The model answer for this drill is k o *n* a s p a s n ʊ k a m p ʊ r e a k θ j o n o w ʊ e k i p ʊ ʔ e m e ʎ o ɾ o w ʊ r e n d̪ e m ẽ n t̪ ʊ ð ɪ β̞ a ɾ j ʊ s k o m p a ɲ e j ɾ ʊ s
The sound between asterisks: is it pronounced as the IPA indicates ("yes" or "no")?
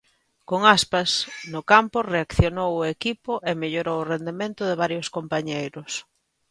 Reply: no